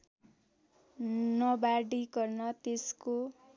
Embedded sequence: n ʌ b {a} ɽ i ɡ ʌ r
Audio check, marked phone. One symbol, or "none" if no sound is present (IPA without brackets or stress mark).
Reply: a